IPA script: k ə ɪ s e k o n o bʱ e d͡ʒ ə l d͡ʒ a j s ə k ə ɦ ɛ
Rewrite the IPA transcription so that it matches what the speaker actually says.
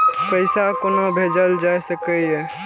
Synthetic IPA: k ə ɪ s a k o n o bʱ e d͡ʒ ə l d͡ʒ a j s ə k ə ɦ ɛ